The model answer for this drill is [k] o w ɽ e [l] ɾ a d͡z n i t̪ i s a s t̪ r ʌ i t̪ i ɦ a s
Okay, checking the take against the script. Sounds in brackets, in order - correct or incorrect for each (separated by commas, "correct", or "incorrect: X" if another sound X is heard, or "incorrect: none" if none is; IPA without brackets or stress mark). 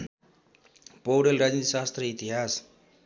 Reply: incorrect: p, correct